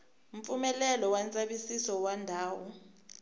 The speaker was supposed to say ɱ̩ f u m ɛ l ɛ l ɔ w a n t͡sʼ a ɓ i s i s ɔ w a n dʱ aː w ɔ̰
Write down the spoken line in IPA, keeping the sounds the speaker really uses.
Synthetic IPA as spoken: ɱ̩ f u m ɛ l ɛ l ɔ w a n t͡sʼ a ɓ i s i s ɔ w a n dʱ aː w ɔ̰